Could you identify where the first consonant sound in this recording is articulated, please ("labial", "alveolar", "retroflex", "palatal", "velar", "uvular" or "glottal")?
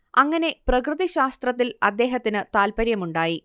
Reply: velar